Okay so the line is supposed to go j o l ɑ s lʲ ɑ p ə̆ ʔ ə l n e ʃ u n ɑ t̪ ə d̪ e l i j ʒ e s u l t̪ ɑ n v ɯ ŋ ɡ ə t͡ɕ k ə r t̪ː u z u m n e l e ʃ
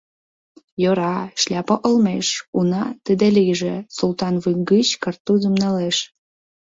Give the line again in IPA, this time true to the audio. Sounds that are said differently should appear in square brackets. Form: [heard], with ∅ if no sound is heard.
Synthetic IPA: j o [ɾ] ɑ [ʃ] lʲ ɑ p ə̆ ʔ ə l [m] e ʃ u n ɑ t̪ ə d̪ e l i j ʒ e s u l t̪ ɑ n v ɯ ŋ ɡ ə t͡ɕ k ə r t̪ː u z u m n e l e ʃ